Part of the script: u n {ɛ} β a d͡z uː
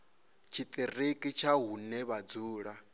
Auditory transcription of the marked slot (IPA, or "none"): ɛ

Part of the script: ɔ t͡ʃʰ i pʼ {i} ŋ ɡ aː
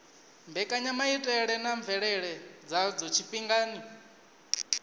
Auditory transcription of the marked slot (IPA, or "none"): i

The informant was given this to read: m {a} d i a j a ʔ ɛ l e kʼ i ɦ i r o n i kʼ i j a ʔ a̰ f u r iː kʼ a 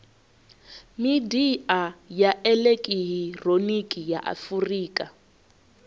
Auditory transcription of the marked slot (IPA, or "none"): i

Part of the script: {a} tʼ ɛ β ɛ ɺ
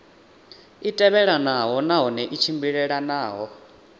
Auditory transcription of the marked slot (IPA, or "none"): i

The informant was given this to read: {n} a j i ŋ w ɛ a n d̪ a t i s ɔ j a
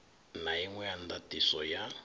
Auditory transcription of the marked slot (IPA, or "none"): n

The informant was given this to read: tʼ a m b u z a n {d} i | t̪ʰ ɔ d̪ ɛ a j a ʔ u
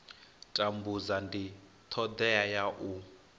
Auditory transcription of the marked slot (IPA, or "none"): d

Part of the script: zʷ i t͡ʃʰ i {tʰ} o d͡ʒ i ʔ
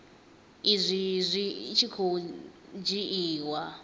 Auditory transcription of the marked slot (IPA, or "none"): kʰ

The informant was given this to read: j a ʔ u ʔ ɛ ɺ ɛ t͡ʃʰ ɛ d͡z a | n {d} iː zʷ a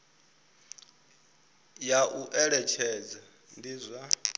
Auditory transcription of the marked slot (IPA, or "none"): d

